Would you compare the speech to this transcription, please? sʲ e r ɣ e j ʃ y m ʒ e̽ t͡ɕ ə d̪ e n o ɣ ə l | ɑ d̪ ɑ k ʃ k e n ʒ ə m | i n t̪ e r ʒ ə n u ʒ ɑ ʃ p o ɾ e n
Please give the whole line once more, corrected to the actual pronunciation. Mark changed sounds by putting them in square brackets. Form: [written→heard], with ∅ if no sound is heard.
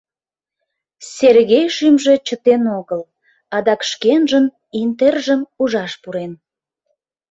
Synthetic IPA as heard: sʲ e r ɣ e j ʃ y m ʒ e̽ t͡ɕ ə [d̪→t̪] e n o ɣ ə l | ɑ d̪ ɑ k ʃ k e n ʒ ə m | i n t̪ e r ʒ ə [n→m] u ʒ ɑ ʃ p [o→u] ɾ e n